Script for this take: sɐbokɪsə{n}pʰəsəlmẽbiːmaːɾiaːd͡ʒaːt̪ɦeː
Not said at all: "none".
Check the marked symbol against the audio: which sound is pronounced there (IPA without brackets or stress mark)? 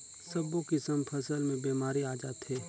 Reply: m